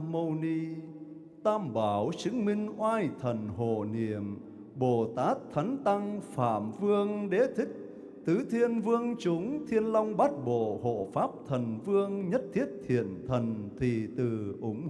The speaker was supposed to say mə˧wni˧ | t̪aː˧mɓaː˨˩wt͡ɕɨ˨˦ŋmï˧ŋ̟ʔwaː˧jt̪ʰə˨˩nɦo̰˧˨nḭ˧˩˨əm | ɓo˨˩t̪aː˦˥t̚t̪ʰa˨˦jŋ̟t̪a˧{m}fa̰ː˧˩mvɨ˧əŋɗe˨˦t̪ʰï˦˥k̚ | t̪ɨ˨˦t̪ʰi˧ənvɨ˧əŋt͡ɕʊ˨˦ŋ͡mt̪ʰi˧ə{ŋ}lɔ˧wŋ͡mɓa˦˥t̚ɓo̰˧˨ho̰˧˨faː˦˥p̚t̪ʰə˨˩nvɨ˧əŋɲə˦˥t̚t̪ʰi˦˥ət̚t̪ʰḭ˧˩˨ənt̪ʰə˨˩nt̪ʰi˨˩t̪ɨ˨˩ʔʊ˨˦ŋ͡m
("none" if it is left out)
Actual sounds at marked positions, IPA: ŋ, n

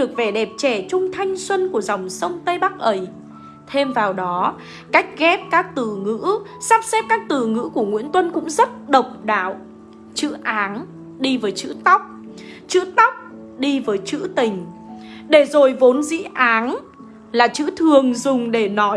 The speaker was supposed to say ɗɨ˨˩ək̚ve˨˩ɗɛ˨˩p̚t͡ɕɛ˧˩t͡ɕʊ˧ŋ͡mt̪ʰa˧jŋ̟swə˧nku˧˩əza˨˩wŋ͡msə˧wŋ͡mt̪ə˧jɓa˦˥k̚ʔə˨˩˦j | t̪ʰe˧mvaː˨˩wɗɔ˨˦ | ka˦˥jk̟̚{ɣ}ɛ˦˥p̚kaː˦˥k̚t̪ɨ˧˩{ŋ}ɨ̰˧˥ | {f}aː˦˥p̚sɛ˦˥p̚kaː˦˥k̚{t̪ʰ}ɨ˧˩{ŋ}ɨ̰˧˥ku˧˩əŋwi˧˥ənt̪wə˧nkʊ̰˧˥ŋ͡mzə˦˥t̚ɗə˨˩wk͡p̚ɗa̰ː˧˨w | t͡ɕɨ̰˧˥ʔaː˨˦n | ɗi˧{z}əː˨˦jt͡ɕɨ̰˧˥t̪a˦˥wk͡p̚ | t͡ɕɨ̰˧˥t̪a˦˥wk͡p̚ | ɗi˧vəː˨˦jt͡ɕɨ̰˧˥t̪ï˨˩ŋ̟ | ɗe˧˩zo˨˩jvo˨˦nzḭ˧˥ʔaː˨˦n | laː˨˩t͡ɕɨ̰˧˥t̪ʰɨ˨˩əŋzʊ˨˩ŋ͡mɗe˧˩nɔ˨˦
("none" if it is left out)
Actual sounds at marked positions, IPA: ɣ, ŋ, s, t̪, ŋ, v

